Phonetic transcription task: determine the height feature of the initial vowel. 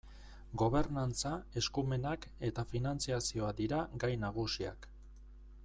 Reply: mid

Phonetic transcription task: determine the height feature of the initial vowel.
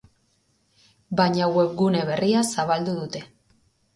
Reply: low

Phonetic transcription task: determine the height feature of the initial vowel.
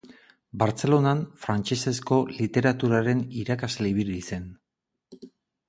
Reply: low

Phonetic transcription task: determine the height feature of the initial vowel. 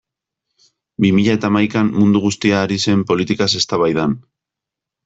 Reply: high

